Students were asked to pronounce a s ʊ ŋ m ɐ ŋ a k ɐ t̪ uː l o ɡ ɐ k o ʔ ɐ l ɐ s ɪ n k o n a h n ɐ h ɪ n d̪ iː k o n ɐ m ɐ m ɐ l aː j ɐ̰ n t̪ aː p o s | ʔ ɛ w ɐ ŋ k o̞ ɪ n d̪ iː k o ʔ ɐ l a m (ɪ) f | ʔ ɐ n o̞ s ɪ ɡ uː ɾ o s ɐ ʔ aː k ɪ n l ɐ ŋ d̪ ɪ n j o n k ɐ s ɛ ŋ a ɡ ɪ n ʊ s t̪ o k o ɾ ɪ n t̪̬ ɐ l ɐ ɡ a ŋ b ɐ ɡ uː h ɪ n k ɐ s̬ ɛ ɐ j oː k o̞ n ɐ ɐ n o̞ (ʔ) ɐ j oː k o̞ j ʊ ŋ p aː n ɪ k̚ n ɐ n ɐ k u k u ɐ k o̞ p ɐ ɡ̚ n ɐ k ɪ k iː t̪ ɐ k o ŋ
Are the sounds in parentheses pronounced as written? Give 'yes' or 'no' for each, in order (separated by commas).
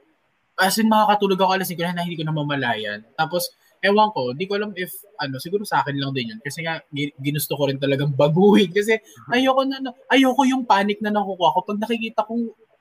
yes, yes